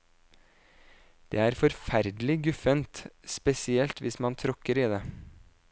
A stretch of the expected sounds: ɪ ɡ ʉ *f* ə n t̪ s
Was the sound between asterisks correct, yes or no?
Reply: yes